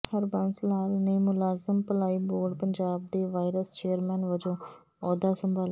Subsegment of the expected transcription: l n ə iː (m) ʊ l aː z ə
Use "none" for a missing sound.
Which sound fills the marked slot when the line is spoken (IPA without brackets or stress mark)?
m